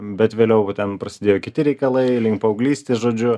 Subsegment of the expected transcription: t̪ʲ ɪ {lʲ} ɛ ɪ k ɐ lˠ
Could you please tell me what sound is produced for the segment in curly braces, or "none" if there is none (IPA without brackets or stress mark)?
ɾʲ